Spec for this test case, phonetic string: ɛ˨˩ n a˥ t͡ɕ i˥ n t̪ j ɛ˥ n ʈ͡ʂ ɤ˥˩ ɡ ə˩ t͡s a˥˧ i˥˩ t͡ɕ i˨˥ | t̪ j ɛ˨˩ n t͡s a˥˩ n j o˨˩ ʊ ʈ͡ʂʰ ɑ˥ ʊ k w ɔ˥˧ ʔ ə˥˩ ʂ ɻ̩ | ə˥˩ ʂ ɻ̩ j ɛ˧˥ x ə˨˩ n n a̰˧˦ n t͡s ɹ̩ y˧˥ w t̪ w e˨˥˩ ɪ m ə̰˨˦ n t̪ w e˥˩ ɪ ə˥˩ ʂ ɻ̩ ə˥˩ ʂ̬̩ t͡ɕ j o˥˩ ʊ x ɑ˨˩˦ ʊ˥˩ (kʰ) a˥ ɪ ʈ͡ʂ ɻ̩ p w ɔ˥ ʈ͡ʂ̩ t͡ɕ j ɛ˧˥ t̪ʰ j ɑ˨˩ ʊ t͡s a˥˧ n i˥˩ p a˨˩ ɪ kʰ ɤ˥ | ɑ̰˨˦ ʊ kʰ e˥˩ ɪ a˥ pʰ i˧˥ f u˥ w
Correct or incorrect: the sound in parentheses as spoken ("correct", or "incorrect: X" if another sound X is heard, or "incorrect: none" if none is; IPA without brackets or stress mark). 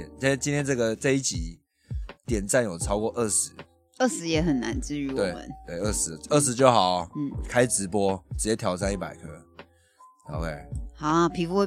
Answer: correct